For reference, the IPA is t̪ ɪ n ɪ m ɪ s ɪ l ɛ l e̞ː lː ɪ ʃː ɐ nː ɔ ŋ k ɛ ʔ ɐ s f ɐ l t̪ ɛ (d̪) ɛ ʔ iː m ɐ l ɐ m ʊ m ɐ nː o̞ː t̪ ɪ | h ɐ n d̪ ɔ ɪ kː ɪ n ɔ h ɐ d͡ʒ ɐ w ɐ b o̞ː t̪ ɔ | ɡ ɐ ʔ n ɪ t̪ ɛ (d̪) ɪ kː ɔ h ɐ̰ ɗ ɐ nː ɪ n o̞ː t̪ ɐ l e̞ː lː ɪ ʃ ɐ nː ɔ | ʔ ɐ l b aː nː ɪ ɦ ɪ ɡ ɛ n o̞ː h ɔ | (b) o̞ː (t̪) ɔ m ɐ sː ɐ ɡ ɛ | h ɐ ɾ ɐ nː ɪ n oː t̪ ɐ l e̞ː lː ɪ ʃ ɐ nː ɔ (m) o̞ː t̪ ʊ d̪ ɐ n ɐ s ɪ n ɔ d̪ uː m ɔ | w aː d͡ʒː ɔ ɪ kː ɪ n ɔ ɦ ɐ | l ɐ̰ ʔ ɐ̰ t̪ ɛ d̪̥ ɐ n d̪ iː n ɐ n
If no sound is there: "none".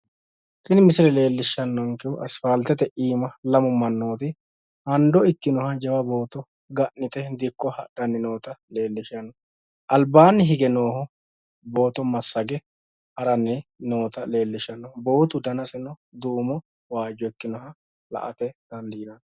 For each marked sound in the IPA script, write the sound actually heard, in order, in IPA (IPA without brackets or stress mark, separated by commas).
t̪, d̪, b, t̪, b